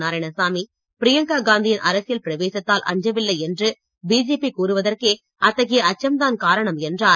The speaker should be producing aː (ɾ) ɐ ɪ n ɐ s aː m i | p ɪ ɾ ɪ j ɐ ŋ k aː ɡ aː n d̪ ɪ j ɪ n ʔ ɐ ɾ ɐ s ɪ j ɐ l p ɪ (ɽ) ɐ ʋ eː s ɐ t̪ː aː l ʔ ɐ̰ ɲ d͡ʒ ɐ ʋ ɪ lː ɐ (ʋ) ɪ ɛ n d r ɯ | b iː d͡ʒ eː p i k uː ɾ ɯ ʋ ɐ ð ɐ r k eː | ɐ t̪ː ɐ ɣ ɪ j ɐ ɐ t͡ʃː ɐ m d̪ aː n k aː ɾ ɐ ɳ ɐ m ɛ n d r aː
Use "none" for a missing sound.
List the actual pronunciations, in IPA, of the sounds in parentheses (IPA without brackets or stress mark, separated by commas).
ɾ, ɾ, none